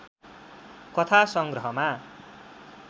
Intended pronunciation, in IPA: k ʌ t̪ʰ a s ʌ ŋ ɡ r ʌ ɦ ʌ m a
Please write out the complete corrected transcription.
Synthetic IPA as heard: k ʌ t̪ʰ a s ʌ ŋ ɡ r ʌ ɦ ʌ m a